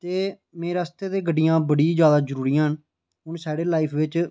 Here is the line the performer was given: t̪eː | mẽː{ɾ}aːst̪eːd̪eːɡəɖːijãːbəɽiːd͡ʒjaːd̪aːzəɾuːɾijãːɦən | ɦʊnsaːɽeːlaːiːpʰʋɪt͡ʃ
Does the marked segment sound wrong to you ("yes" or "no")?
no